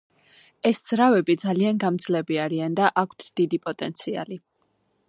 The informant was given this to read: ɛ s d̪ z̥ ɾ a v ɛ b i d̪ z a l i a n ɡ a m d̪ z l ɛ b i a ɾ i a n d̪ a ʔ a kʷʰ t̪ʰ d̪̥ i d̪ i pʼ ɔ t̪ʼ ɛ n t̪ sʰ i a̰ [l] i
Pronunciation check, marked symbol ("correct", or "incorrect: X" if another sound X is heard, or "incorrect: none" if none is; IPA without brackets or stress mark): correct